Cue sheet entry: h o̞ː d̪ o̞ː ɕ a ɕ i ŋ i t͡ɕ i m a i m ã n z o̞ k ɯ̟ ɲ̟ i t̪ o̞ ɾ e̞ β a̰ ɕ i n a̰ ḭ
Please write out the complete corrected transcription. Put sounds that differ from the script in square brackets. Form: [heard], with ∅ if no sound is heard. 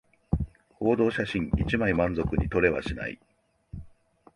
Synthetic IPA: h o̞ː d̪ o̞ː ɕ a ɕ [ĩ] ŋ i t͡ɕ i m a i m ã n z o̞ k ɯ̟ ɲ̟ i t̪ o̞ ɾ e̞ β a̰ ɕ i n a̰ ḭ